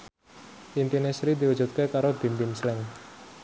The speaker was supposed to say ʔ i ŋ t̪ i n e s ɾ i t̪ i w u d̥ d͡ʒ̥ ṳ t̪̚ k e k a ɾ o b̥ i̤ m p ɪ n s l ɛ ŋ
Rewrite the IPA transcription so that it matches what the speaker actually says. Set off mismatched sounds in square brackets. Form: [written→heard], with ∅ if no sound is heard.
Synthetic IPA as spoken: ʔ i [ŋ→n] t̪ i n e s ɾ i [t̪→d̪] i w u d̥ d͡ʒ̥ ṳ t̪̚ k e k a ɾ o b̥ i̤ m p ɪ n s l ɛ ŋ